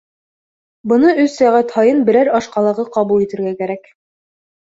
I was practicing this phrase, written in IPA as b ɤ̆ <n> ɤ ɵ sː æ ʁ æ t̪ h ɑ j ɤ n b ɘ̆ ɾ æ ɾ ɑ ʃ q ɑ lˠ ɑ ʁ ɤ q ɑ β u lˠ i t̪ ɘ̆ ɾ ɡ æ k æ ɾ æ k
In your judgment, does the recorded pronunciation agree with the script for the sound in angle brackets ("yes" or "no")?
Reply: yes